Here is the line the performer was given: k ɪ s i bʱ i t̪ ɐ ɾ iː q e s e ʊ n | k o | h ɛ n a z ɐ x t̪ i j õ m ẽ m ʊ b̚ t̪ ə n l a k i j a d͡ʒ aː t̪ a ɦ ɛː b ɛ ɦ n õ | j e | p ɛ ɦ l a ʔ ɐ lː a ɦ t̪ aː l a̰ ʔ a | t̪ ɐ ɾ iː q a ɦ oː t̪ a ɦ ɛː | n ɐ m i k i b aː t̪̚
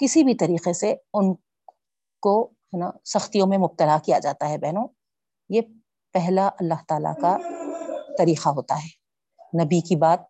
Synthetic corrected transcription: k ɪ s i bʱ i t̪ ɐ ɾ iː q e s e ʊ n | k o | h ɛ n a s ɐ x t̪ i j õ m ẽ m ʊ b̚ t̪ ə l a k i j a d͡ʒ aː t̪ a ɦ ɛ b ɛ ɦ n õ | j e | p ɛ ɦ l a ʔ ɐ lː a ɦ t̪ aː l a̰ k a | t̪ ɐ ɾ iː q a ɦ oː t̪ a ɦ ɛː | n ɐ b i k i b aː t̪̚